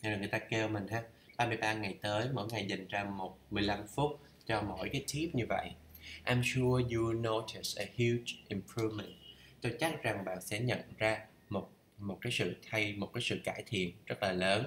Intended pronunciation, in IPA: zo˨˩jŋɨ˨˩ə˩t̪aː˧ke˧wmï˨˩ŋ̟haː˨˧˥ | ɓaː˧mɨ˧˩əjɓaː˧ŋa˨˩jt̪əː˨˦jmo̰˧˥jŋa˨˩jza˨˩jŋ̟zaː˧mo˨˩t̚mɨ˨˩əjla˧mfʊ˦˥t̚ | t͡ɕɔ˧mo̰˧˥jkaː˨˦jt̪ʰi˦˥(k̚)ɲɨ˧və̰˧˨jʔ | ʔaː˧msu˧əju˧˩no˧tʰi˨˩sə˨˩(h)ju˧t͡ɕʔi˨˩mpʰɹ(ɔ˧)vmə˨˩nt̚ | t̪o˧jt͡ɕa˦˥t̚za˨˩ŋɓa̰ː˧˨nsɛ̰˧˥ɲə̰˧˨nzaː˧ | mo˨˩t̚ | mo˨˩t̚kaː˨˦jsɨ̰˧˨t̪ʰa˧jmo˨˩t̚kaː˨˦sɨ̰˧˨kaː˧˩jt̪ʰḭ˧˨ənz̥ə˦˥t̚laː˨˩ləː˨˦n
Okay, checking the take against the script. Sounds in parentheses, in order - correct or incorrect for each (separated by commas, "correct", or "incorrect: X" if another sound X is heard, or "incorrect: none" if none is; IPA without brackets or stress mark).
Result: incorrect: p̚, correct, incorrect: u˧